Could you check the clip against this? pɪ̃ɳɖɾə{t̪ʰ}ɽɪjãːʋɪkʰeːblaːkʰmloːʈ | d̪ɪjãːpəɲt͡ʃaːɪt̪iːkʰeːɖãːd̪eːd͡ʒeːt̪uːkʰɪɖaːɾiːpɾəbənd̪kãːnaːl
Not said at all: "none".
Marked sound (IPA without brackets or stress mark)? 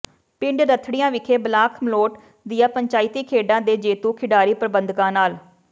t̪ʰ